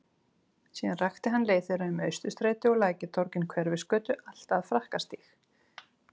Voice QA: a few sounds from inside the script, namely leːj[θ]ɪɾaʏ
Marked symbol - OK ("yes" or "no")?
yes